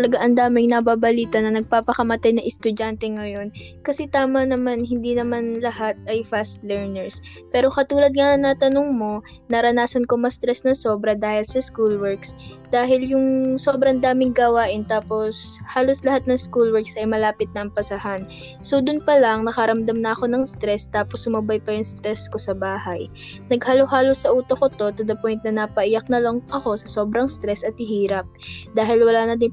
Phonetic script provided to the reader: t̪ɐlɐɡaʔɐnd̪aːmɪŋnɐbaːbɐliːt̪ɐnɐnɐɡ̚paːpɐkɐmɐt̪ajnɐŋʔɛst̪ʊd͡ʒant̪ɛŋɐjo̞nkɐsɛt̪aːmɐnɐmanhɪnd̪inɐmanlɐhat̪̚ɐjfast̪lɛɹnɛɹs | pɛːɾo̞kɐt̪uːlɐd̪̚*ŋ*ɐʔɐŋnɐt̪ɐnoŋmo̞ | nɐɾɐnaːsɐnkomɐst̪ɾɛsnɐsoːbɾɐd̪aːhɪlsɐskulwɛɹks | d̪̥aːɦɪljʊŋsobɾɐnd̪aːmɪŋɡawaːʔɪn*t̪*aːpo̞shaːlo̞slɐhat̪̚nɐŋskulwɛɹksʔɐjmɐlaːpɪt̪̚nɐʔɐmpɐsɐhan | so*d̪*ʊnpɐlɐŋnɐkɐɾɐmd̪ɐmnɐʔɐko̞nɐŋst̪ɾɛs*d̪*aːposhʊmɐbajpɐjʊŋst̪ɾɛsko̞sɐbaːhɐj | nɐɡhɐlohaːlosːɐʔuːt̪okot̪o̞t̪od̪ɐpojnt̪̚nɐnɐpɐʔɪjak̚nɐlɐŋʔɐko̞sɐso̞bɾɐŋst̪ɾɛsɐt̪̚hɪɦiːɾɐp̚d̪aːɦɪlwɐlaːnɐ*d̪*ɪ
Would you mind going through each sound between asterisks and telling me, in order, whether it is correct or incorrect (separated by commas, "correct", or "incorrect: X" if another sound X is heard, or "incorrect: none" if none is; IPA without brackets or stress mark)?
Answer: correct, correct, correct, incorrect: t̪, correct